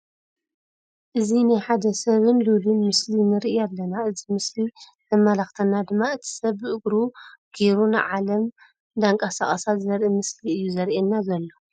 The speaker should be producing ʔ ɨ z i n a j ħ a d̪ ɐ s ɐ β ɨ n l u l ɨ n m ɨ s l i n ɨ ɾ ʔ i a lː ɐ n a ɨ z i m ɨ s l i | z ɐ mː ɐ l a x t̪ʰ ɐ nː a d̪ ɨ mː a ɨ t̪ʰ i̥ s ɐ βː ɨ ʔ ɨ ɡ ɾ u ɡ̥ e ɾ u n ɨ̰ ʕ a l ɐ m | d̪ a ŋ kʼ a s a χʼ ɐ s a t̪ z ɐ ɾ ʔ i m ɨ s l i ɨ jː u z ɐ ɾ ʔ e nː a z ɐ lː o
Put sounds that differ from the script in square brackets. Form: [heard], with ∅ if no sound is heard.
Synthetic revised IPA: ʔ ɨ z i n a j ħ a d̪ ɐ s ɐ β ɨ n l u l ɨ n m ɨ s l i n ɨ ɾ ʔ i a lː ɐ n a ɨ z i m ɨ s l i | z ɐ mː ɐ l a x t̪ʰ ɐ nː a d̪ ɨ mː a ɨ t̪ʰ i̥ s ɐ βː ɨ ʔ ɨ ɡ ɾ u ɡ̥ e ɾ u n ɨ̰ ʕ a l ɐ m | d̪ a ŋ kʼ a s a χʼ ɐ s a t̪ z ɐ ɾ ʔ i m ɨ s l i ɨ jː u z ɐ ɾ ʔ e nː a z ɐ lː o